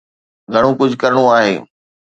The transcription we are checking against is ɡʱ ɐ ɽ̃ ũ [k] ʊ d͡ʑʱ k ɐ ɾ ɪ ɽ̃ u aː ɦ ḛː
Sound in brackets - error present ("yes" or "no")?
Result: no